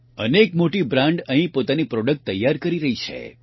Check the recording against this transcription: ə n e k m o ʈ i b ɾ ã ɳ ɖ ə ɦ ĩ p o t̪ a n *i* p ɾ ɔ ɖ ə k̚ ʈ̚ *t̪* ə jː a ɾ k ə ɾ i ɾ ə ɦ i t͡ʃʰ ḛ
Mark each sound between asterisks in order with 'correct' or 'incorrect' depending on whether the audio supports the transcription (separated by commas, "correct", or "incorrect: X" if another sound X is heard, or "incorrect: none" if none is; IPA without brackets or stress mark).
correct, correct